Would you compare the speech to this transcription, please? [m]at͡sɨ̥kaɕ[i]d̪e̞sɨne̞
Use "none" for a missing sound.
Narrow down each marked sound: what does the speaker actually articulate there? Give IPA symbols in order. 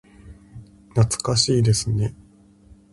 n, iː

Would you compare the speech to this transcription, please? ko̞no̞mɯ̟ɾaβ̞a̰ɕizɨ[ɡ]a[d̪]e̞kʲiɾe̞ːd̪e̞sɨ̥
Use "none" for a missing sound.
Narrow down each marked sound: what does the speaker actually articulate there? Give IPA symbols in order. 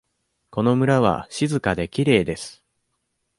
k, d̪

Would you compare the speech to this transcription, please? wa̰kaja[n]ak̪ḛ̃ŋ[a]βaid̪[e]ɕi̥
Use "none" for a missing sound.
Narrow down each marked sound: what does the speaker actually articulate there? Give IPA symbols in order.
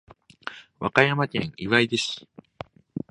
m, i, e

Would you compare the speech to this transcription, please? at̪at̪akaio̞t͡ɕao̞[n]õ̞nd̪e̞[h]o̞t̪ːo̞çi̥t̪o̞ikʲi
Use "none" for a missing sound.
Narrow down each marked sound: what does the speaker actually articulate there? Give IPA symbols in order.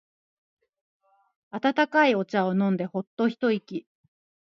n, h

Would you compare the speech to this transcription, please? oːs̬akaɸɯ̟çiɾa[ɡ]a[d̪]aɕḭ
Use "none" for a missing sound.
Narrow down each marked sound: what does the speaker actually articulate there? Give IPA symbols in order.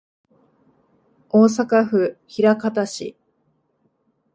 k, t̪

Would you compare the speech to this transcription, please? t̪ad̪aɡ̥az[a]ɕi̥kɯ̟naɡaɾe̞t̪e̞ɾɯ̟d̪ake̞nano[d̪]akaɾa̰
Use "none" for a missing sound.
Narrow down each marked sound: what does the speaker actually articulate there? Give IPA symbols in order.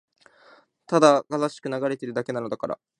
a, d̪

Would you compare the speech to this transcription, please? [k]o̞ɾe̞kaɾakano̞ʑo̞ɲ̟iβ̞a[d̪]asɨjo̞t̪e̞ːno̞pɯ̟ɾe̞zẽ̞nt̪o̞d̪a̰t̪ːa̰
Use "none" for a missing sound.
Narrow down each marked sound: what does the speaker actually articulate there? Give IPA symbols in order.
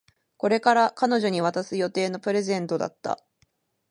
k, t̪

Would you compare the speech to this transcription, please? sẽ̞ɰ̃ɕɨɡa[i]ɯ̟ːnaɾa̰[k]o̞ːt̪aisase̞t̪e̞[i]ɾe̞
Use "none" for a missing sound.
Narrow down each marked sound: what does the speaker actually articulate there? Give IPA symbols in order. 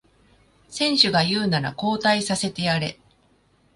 j, k, a

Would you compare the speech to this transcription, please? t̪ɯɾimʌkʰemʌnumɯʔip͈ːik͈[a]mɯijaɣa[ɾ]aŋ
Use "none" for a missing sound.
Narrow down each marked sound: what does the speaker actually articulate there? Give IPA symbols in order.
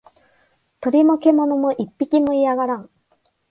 i, ɾ

